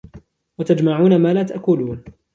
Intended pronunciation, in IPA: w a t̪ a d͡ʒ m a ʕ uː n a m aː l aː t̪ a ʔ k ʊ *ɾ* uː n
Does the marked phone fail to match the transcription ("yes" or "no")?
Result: yes